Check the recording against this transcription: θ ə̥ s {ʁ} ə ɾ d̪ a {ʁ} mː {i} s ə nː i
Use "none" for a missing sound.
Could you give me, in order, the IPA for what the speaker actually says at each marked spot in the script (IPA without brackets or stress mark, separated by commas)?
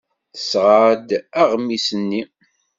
ʁ, ʁ, i